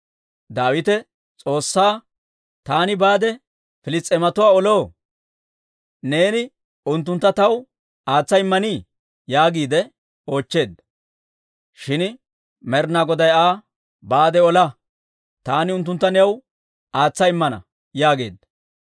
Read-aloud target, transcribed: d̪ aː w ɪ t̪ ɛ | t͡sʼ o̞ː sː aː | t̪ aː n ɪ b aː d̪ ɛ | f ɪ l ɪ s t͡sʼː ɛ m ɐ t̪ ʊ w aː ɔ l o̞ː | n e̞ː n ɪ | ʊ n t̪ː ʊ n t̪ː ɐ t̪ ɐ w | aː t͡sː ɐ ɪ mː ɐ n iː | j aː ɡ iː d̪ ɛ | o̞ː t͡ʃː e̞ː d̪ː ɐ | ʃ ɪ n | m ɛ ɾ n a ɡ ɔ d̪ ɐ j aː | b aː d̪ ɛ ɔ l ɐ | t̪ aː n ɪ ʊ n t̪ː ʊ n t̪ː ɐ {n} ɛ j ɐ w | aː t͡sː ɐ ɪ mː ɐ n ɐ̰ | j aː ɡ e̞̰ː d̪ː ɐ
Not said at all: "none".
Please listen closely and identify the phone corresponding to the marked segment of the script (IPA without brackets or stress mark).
n